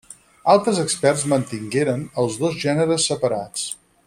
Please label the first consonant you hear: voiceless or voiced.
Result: voiced